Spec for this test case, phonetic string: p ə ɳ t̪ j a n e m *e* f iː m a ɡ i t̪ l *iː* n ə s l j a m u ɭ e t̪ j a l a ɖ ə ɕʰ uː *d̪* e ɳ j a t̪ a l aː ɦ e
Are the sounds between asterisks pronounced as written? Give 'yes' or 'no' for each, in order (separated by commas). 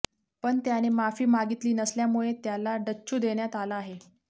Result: no, yes, yes